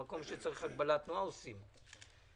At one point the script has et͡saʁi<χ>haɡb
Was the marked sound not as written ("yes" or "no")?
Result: no